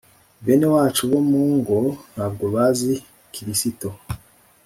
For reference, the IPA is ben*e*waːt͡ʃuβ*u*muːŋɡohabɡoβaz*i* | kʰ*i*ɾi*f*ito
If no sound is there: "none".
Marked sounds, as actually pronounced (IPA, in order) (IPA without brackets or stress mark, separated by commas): e, o, i, i, s